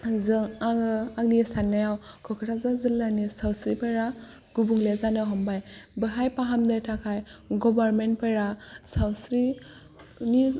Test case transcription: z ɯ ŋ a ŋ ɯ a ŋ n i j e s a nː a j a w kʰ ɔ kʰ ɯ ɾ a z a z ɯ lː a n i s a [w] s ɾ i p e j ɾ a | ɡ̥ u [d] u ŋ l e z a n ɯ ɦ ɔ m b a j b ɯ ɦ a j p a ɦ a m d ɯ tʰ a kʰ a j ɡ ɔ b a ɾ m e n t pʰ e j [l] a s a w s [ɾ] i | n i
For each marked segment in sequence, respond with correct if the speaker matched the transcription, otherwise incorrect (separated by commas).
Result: correct, incorrect, incorrect, correct